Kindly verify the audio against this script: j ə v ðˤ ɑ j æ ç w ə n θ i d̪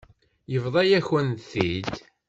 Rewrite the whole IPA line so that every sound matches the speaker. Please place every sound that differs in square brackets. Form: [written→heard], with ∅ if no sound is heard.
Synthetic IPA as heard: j ə v ðˤ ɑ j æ ç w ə n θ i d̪